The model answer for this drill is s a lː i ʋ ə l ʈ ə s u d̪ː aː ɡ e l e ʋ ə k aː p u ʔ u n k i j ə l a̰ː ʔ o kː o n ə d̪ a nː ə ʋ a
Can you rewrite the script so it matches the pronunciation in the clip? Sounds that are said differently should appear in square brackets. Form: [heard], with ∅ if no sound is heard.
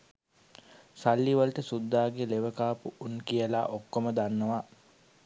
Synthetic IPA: s a lː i ʋ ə l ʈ ə s u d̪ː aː ɡ e l e ʋ ə k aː p u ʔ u n k i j ə l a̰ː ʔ o kː o [m] ə d̪ a nː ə ʋ a